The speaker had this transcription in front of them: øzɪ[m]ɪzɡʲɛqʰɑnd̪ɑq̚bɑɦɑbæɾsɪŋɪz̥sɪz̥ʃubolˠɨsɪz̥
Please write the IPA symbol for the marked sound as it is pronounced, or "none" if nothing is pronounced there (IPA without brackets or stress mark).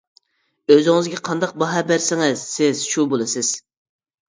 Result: ŋ